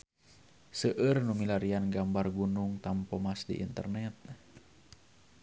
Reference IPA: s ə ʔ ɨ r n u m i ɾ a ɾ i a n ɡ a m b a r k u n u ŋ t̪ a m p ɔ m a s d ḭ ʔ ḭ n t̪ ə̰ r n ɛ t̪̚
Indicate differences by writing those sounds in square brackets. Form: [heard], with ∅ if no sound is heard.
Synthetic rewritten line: s ə ʔ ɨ r n u m i [l] a ɾ i a n ɡ a m b a r [ɡ] u n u ŋ t̪ a m p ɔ m a s d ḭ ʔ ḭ n t̪ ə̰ r n ɛ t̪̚